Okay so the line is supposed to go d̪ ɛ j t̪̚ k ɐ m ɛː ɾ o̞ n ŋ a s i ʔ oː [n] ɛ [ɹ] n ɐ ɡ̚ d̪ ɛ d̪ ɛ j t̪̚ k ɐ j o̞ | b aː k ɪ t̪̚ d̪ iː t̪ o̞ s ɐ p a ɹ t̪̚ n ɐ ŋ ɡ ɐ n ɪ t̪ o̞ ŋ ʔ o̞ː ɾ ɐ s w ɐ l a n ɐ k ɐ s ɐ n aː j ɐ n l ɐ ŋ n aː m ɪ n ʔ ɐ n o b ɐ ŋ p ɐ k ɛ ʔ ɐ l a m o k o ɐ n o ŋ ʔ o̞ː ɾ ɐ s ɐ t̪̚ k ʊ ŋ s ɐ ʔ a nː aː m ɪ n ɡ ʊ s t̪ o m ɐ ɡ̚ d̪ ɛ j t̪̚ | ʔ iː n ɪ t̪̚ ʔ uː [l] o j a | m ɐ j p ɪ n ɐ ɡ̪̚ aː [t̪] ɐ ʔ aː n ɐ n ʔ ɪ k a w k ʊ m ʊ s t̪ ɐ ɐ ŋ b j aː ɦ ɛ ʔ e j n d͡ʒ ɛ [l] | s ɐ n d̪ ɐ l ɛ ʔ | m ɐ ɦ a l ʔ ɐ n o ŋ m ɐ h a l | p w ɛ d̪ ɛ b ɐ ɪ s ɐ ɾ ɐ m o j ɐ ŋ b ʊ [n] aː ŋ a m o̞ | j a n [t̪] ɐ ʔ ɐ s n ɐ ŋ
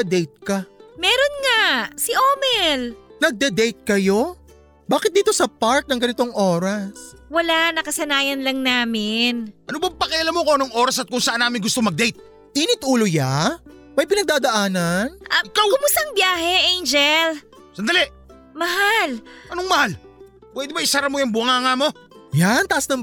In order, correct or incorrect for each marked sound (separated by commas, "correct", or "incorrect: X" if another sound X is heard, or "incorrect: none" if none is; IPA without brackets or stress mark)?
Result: incorrect: m, incorrect: l, correct, incorrect: d̪, correct, incorrect: ŋ, correct